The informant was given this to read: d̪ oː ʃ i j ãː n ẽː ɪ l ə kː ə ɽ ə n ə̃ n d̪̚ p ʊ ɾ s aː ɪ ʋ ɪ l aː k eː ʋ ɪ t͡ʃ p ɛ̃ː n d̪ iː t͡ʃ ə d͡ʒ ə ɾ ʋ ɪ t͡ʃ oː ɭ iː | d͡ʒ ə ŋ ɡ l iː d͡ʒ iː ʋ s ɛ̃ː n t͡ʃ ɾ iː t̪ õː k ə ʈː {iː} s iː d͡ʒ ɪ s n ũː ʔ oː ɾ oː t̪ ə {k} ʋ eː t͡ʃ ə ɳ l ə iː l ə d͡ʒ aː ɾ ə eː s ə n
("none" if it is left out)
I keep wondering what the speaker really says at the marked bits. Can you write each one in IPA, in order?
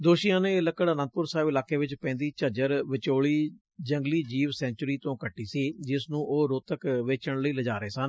iː, k

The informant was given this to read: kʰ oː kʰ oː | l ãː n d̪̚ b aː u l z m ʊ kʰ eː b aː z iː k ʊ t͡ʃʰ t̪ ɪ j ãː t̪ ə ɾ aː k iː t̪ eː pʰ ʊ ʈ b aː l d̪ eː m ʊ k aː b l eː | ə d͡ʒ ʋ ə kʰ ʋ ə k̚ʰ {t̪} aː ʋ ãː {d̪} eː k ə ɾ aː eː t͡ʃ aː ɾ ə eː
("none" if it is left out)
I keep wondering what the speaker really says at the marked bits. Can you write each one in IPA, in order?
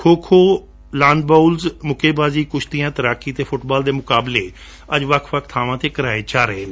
t̪ʰ, t̪

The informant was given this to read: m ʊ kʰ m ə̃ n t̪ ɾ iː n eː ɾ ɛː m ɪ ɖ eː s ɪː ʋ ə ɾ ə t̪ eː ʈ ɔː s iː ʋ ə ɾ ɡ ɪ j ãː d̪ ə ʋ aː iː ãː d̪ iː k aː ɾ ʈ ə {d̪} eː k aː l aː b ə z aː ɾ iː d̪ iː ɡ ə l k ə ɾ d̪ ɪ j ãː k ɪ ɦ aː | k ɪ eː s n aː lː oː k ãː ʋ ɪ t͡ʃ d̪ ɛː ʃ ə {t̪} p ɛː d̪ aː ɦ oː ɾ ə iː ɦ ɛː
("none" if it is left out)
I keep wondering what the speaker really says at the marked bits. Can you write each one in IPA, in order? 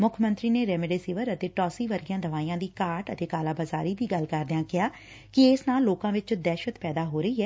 t̪, t̪

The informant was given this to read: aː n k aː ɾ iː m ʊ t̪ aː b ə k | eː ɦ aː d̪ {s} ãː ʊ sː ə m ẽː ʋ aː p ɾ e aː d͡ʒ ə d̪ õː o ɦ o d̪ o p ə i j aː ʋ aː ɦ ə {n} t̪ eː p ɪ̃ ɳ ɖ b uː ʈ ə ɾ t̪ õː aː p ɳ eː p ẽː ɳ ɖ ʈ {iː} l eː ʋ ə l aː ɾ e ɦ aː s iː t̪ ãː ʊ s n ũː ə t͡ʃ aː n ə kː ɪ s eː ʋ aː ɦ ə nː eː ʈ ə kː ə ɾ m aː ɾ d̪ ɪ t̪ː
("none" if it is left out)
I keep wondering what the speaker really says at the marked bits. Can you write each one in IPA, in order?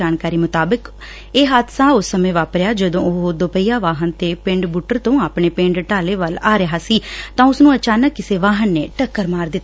s, n, aː

